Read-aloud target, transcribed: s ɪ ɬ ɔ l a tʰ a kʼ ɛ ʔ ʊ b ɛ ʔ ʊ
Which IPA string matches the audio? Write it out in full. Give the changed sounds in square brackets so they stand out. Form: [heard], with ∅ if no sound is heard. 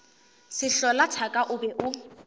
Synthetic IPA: s ɪ ɬ ɔ l a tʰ a kʼ [a] ʔ ʊ b ɛ ʔ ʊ